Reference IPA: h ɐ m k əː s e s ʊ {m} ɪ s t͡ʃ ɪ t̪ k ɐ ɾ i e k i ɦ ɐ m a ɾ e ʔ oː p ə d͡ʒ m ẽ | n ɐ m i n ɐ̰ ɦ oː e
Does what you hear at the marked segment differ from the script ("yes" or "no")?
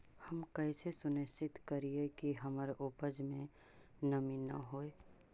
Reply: yes